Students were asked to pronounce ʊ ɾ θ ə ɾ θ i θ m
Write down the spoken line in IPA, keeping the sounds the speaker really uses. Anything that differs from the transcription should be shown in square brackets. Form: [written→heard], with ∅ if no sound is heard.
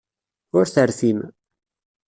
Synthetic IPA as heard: ʊ ɾ θ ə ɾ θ i [θ→∅] m